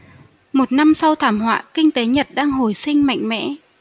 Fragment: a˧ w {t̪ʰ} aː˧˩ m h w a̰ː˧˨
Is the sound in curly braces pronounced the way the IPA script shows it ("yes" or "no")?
yes